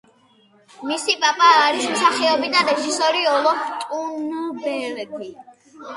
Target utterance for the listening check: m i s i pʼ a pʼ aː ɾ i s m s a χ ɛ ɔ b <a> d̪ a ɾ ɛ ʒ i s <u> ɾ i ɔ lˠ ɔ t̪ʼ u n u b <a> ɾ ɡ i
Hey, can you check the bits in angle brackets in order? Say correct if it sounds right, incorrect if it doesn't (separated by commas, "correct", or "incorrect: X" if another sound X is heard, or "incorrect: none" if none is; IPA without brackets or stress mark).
incorrect: i, incorrect: ɔ, incorrect: ɛ